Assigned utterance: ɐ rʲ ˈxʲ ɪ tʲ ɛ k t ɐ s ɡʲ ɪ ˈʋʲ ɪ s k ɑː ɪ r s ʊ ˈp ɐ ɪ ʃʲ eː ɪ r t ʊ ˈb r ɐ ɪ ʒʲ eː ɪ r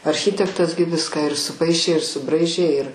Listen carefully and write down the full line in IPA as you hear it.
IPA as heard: ɐ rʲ ˈxʲ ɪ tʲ ɛ k t ɐ s ɡʲ ɪ ˈʋʲ ɪ s k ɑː ɪ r s ʊ ˈp ɐ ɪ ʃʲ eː ɪ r s ʊ ˈb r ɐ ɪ ʒʲ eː ɪ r